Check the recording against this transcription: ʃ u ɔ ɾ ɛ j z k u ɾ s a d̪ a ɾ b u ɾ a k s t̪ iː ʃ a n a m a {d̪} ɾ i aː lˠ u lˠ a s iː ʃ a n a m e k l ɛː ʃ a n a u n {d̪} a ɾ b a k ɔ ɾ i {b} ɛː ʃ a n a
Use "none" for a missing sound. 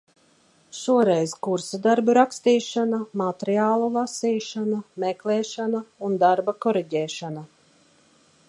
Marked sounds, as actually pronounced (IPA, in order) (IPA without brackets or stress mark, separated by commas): t̪, d̪, ɟ